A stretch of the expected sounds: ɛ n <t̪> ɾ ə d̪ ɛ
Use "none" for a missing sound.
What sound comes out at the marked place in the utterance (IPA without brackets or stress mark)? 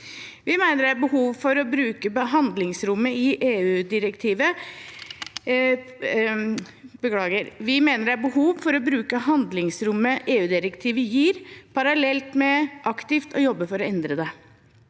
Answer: d̪